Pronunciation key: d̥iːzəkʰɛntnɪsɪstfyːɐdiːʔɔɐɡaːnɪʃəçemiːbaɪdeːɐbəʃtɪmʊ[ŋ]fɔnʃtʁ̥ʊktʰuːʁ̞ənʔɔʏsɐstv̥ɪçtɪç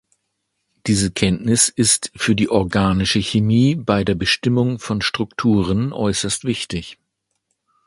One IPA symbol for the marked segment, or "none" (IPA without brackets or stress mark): ŋ